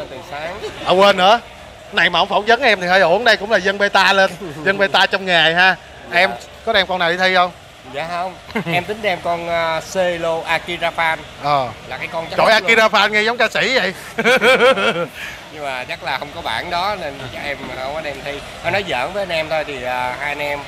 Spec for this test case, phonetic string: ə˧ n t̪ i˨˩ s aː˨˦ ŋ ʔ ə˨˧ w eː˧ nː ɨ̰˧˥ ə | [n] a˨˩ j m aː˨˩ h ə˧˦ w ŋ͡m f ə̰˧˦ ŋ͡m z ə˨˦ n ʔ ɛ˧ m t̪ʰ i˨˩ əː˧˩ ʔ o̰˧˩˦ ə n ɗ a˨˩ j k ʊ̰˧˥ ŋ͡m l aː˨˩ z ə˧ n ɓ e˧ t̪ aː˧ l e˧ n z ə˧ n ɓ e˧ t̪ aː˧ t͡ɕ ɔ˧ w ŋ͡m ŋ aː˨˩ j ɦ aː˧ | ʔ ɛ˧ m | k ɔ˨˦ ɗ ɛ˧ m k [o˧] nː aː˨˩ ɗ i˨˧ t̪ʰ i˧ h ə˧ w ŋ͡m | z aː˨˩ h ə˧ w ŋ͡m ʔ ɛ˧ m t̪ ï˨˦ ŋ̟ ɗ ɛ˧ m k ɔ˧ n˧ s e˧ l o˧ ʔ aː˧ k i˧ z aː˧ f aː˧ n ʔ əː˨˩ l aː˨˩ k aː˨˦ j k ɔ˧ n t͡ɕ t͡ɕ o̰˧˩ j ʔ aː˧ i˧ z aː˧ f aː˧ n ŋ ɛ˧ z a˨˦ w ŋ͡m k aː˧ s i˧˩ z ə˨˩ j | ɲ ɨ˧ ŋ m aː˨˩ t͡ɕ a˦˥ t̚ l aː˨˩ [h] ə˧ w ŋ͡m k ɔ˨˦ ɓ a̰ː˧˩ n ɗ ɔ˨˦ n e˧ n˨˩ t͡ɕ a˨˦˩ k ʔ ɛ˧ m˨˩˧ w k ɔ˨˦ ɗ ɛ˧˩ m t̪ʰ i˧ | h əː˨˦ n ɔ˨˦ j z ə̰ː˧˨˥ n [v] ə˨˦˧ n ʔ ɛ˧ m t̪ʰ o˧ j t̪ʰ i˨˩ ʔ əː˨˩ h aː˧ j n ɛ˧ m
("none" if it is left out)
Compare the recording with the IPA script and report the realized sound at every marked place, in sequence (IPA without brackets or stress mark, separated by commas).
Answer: n, ɔ˧, h, v